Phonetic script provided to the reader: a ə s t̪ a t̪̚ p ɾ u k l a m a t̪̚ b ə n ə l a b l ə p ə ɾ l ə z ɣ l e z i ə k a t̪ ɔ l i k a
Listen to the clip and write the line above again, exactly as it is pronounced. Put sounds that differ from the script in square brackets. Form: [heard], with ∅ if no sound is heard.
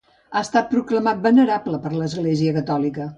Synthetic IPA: a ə s t̪ a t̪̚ p ɾ u k l [ə] m a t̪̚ b ə n ə [ɾ] a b l ə p ə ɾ l ə z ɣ l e z i ə k [ə] t̪ ɔ l i k [ə]